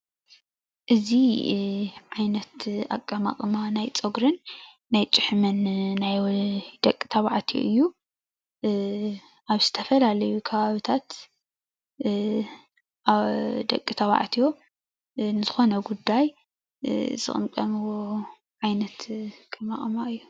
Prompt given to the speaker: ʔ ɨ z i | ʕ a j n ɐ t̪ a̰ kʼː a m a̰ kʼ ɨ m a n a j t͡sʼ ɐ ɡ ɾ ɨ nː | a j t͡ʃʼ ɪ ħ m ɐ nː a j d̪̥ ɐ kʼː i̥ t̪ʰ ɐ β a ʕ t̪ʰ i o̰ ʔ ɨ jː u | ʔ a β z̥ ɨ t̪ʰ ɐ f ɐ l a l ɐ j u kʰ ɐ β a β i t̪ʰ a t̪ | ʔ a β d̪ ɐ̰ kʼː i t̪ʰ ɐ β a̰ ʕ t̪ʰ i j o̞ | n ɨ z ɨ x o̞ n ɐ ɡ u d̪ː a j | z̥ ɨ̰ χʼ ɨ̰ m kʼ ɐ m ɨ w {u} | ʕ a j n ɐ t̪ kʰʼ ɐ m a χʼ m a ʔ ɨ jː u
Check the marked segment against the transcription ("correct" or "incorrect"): incorrect